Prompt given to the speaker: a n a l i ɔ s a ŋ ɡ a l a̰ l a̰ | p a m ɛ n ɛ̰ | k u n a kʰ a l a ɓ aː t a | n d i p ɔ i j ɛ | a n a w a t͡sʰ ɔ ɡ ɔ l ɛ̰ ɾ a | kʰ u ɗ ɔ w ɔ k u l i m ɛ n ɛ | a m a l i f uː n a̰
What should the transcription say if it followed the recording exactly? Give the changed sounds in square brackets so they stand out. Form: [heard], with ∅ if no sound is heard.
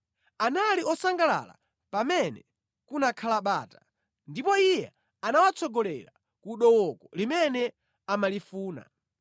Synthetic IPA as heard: a n a l i ɔ s a ŋ ɡ a l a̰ l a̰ | p a m ɛ n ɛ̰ | k u n a kʰ a l a ɓ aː t a | n d i p ɔ i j ɛ | a n a w a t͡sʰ ɔ ɡ ɔ l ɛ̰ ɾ a | [k] u ɗ ɔ w ɔ k [ɔ] l i m ɛ n ɛ | a m a l i f uː n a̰

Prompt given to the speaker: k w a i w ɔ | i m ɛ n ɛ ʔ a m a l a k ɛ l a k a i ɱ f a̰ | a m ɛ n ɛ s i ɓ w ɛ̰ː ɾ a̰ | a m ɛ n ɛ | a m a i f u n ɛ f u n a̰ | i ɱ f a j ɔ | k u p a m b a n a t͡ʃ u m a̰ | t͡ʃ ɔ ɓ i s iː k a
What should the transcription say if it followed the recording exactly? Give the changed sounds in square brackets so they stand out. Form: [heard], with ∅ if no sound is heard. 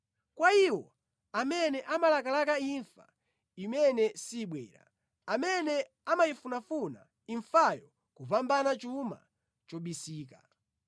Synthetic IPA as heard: k w a i w ɔ | [a] m ɛ n ɛ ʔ a m a l a k [a] l a k a i ɱ f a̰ | [i] m ɛ n ɛ s i ɓ w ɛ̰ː ɾ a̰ | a m ɛ n ɛ | a m a i f u n [a] f u n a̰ | i ɱ f a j ɔ | k u p a m b a n a t͡ʃ u m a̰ | t͡ʃ ɔ ɓ i s iː k a

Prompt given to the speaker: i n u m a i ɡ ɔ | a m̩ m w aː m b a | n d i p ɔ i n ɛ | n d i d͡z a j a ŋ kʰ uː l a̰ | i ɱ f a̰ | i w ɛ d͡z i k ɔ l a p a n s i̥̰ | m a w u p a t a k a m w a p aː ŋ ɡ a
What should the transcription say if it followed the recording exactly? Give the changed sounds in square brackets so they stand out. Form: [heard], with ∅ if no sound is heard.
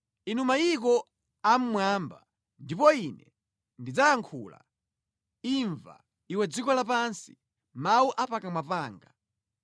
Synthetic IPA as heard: i n u m a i [k] ɔ | a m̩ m w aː m b a | n d i p ɔ i n ɛ | n d i d͡z a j a ŋ kʰ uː l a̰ | i ɱ [v] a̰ | i w ɛ d͡z i k ɔ l a p a n s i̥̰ | m a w u [ʔ] a [p] a k a m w a p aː ŋ ɡ a

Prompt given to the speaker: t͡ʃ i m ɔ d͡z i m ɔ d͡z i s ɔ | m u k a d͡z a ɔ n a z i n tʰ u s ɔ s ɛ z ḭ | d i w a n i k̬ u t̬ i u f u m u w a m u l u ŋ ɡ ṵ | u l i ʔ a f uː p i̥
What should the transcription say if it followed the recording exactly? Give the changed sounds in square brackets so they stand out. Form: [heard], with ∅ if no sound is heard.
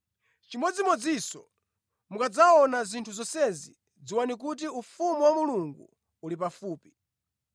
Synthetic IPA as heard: t͡ʃ i m ɔ d͡z i m ɔ d͡z i s ɔ | m u k a d͡z a ɔ n a z i n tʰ u [z] ɔ s ɛ z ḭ | [d͡z] i w a n i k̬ u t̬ i u f u m u w a m u l u ŋ ɡ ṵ | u l i [p] a f uː p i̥

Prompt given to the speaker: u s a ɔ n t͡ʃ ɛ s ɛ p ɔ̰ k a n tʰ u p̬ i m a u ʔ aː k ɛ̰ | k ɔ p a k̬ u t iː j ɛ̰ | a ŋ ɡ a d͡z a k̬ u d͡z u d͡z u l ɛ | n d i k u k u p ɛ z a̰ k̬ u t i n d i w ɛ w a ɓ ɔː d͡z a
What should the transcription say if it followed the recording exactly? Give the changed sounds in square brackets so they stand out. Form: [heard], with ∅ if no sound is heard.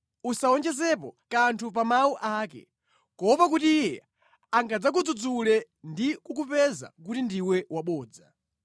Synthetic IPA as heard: u s a ɔ n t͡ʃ ɛ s ɛ p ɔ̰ k a n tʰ u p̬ [a] m a u ʔ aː k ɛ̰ | k ɔ p a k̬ u t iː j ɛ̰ | a ŋ ɡ a d͡z a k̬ u d͡z u d͡z u l ɛ | n d i k u k u p ɛ z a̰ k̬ u t i n d i w ɛ w a ɓ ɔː d͡z a

